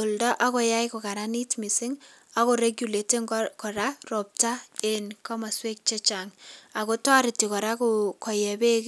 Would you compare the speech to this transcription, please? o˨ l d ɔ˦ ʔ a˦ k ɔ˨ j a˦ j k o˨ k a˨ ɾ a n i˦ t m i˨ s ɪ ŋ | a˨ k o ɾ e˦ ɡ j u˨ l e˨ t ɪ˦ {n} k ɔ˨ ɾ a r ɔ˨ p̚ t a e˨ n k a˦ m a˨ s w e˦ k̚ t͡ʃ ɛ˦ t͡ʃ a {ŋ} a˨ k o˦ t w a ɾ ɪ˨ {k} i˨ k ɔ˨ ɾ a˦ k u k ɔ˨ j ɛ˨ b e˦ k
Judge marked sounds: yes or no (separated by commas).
no, yes, no